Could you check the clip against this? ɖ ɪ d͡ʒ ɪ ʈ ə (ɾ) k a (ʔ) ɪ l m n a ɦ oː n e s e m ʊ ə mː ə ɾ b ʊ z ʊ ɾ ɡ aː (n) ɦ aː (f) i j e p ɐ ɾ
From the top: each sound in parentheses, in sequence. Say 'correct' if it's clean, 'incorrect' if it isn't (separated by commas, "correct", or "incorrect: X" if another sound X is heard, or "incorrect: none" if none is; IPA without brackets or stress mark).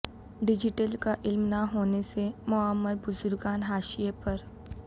incorrect: l, correct, correct, incorrect: ʃ